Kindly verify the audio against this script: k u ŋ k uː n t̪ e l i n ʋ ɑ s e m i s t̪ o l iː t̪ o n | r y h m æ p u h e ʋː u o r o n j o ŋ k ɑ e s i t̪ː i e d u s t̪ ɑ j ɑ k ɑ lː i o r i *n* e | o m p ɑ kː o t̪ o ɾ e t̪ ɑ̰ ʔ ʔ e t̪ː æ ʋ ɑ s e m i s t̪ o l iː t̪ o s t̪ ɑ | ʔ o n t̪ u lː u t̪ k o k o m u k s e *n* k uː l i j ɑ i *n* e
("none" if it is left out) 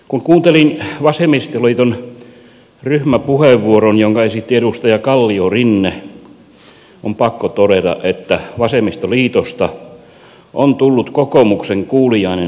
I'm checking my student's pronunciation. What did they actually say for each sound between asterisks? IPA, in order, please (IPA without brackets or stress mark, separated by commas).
nː, ŋ, n